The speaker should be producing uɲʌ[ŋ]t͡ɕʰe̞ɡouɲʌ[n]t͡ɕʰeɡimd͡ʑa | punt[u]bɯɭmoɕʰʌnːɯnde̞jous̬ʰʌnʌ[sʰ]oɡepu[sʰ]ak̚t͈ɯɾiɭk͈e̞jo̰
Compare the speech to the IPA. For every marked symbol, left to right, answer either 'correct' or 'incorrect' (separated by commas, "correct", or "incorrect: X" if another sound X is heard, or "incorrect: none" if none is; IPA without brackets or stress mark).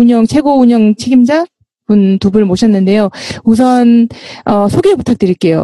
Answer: correct, incorrect: ŋ, correct, correct, incorrect: tʰ